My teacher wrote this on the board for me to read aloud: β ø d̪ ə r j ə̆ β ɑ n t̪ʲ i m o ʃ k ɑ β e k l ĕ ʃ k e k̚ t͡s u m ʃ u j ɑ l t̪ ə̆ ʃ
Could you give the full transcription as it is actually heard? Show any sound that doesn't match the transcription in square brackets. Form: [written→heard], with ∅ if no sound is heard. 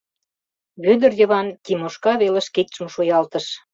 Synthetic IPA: β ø d̪ ə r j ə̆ β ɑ n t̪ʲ i m o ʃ k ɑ β e [k→∅] l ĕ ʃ k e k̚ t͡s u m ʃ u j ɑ l t̪ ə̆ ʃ